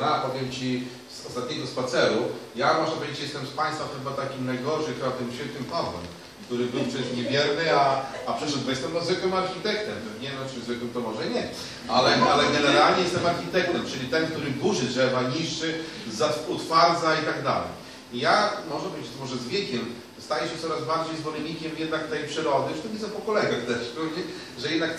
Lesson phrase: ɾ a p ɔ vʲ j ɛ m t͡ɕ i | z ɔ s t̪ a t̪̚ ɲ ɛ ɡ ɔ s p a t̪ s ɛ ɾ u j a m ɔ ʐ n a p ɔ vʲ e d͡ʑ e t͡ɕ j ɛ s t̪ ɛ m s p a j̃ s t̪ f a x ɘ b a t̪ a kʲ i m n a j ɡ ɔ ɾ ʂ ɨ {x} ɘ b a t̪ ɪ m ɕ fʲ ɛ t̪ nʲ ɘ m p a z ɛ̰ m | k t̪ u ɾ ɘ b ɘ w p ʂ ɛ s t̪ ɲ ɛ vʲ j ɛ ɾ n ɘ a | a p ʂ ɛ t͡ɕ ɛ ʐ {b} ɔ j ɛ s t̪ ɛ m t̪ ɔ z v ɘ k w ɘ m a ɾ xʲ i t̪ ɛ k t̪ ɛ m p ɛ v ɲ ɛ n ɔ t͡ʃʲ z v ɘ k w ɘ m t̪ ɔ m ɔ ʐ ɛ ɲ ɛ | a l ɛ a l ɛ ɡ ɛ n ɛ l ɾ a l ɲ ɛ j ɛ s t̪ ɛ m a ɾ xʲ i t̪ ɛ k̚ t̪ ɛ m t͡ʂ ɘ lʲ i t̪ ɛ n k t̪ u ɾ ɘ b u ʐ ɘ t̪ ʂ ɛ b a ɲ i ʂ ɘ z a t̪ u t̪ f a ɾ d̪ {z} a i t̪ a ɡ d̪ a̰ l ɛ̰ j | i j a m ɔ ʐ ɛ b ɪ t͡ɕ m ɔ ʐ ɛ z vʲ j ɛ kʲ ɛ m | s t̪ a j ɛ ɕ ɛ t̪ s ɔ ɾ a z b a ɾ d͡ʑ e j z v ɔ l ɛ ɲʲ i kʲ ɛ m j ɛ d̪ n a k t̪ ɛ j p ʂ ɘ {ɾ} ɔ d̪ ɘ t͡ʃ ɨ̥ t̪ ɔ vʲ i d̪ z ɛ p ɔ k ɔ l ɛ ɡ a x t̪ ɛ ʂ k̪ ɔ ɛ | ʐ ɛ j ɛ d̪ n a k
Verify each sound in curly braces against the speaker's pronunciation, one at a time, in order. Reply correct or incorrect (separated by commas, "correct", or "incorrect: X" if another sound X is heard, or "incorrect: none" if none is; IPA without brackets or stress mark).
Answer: correct, correct, correct, correct